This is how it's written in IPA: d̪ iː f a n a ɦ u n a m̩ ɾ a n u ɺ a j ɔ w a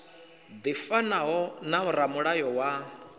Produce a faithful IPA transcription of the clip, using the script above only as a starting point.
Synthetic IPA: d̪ i f a n a ɦ ɔ n a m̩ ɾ a m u ɺ a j ɔ w a